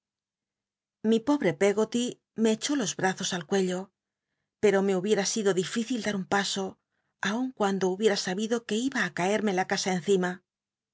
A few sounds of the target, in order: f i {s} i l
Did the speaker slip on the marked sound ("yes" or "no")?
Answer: yes